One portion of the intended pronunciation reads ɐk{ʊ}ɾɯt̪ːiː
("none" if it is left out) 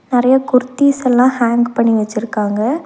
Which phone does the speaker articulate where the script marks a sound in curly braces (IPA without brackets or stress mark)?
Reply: ʊ